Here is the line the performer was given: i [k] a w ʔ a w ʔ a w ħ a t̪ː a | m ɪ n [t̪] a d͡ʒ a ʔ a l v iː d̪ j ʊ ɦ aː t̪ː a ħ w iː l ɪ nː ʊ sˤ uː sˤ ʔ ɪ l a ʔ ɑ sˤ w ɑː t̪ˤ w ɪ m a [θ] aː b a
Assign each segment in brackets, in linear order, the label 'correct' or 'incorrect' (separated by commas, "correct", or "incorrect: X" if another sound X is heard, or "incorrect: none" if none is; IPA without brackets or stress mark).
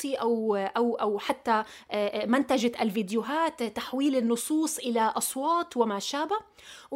incorrect: ʔ, correct, incorrect: ʃ